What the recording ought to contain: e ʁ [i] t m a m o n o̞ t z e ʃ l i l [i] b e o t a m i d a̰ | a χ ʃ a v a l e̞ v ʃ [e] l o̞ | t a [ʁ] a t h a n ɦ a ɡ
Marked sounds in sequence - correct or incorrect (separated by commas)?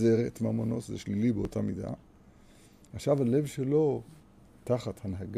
incorrect, correct, correct, incorrect